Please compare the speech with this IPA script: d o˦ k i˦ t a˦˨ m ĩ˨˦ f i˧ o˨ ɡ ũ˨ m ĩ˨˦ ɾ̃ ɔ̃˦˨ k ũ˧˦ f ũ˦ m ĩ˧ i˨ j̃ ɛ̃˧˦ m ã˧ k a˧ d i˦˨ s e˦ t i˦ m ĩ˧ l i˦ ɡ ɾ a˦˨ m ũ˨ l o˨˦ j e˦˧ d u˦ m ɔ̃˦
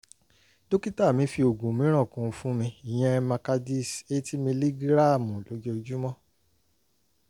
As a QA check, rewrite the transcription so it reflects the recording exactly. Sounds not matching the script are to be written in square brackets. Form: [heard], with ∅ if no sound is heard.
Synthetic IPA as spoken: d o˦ k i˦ t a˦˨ m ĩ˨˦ f i˧ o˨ ɡ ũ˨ m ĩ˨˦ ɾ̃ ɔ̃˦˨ k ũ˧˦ f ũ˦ m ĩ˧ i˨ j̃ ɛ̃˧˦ m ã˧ k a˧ d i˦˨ s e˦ t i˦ m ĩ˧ l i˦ ɡ ɾ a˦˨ m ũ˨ l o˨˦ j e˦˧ [d͡ʒ] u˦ m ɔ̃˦